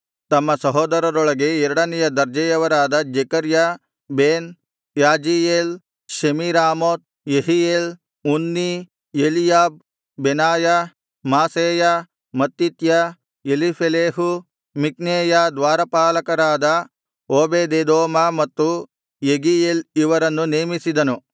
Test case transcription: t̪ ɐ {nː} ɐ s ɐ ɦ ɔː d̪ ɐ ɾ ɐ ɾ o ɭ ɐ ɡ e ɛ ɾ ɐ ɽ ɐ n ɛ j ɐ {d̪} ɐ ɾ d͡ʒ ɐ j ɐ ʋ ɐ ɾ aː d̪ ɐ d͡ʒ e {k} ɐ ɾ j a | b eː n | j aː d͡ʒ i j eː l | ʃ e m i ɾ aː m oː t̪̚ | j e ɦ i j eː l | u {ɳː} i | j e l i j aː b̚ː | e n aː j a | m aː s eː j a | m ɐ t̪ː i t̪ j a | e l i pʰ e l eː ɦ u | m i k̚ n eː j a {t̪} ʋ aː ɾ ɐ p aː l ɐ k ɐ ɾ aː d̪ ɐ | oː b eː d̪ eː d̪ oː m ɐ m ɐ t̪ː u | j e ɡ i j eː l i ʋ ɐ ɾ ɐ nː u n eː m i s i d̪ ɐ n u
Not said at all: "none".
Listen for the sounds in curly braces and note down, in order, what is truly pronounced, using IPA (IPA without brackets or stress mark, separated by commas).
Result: mː, d̪, k, nː, d̪